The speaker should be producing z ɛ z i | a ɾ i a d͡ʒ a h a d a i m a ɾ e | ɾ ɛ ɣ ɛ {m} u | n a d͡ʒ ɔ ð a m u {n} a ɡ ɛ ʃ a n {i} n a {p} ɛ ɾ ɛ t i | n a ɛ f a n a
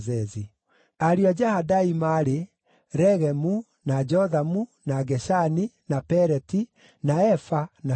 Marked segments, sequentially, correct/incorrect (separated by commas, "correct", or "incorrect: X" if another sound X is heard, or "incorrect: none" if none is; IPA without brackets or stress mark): correct, correct, correct, correct